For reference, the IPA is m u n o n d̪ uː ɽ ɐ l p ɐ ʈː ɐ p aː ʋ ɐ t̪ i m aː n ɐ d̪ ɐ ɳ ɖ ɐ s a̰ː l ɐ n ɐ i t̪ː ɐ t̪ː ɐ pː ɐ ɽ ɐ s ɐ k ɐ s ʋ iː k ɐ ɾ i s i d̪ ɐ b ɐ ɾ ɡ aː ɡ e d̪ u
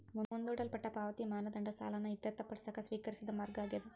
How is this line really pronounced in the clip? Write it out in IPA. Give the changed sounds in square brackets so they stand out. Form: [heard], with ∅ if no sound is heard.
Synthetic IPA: m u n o n d̪ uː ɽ ɐ l p ɐ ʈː ɐ p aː ʋ ɐ t̪ i m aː n ɐ d̪ ɐ ɳ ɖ ɐ s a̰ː l ɐ n ɐ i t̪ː ɐ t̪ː ɐ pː ɐ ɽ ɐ s ɐ k ɐ s ʋ iː k ɐ ɾ i s i d̪ ɐ [m] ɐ ɾ ɡ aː ɡ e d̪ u